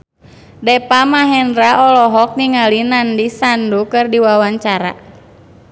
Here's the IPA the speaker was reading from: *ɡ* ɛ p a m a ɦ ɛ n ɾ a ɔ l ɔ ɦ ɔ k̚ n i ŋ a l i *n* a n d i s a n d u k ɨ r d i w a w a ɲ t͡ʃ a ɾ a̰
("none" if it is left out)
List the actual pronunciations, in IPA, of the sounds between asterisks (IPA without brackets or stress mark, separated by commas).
d, n